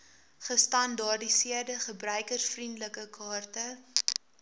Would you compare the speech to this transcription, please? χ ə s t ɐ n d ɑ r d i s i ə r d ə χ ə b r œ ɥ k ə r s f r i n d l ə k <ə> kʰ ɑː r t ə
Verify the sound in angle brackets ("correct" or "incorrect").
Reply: correct